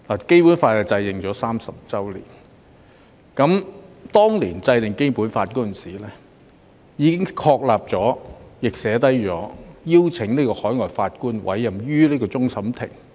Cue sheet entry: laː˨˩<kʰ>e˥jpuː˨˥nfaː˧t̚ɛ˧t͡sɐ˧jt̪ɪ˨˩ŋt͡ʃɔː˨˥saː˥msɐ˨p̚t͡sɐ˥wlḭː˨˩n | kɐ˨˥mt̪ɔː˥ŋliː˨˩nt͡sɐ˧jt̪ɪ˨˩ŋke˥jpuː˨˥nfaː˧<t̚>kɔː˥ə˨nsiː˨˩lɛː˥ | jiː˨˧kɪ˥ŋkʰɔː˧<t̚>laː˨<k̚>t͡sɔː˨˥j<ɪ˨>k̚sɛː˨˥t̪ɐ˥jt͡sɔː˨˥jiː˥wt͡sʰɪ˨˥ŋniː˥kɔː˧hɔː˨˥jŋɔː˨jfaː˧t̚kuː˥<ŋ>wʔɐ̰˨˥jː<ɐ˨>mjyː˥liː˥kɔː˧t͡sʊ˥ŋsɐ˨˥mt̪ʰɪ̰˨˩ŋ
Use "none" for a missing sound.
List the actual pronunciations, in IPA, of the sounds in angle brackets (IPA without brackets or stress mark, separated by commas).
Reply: k, t̚, k̚, p̚, ɪ˨, n, ɐ˨